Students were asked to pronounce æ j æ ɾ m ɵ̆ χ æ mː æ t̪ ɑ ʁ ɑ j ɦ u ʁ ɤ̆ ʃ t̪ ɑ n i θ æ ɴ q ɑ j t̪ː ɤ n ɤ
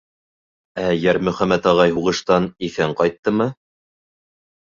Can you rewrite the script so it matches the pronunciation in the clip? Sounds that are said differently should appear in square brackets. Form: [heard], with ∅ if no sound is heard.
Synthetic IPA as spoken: æ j æ ɾ m ɵ̆ χ æ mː æ t̪ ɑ ʁ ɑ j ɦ u ʁ ɤ̆ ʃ t̪ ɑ n i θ æ ɴ q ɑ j t̪ː ɤ [m] ɤ

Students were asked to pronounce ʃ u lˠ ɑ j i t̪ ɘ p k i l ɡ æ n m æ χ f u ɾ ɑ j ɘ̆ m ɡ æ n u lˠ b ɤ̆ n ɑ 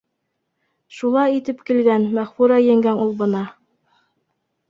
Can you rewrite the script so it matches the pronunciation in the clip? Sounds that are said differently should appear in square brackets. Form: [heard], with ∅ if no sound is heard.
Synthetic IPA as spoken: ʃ u lˠ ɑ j i t̪ ɘ p k i l ɡ æ n m æ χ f u ɾ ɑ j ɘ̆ [ŋ] ɡ æ n u lˠ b ɤ̆ n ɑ

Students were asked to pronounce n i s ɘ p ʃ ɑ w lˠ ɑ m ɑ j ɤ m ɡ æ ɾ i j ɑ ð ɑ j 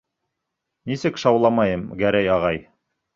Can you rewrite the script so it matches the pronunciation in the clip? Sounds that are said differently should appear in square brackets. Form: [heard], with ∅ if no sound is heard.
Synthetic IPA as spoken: n i s ɘ [k] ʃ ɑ w lˠ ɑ m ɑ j ɤ m ɡ æ ɾ [æ] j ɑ [ʁ] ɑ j

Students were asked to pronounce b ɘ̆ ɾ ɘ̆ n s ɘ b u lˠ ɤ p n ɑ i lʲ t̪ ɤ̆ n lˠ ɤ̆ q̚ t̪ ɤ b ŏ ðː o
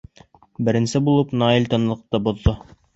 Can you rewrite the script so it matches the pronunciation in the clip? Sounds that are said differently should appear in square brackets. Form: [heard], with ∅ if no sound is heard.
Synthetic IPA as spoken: b ɘ̆ ɾ ɘ̆ n s ɘ b u lˠ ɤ p n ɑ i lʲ t̪ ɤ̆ n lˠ ɤ̆ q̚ t̪ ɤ b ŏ ðː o

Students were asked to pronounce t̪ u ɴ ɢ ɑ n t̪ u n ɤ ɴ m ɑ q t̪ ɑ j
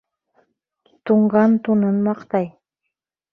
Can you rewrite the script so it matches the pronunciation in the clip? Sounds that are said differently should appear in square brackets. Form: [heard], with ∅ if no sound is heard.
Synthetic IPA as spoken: t̪ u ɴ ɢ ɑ n t̪ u n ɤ [n] m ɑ q t̪ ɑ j

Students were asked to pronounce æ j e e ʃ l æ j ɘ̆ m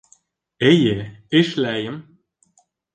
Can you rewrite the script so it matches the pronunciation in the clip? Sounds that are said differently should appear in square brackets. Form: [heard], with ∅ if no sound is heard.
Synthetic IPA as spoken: [e] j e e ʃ l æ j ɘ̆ m

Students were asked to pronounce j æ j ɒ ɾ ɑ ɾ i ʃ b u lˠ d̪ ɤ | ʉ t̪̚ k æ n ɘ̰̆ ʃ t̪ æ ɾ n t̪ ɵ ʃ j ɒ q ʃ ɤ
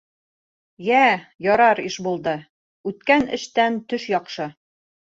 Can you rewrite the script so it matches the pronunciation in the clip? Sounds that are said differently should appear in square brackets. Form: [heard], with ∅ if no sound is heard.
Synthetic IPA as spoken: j æ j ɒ ɾ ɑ ɾ i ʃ b u lˠ d̪ ɤ | ʉ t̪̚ k æ n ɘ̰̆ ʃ t̪ æ [∅] n t̪ ɵ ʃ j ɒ q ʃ ɤ

